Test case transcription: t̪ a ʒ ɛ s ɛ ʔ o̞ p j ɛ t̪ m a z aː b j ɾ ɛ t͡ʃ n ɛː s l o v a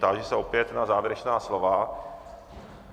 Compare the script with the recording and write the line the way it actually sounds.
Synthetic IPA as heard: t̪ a ʒ ɛ s ɛ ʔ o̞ p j ɛ t̪ n a z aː v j ɾ ɛ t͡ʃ n aː s l o v a